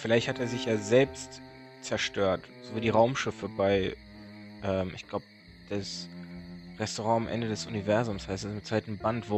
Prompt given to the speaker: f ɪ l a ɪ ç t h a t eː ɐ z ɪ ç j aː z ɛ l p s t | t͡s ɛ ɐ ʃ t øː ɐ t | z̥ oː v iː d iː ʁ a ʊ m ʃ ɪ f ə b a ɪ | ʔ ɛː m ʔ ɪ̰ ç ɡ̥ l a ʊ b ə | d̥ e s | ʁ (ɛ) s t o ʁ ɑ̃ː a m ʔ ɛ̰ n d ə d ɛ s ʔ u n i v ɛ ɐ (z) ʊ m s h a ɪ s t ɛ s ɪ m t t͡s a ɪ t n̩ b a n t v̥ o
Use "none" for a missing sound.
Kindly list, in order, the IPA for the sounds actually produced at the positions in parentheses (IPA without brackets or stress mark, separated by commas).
ɛ, z